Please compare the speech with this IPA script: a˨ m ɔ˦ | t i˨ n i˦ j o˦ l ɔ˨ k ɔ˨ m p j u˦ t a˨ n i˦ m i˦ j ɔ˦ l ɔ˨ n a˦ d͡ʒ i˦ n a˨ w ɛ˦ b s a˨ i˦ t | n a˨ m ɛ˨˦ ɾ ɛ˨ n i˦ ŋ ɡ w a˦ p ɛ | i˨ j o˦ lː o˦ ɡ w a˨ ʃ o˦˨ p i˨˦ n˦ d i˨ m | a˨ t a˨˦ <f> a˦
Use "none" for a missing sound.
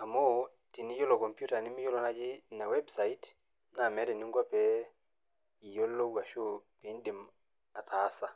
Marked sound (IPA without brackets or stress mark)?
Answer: s